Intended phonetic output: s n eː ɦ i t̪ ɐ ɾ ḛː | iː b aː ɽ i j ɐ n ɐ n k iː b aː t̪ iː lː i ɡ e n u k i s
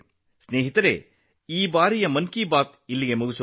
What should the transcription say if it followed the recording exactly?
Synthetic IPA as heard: s n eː ɦ i t̪ ɐ ɾ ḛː | iː b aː ɾ i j ɐ m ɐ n k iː b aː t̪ i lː i ɡ e m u ɡ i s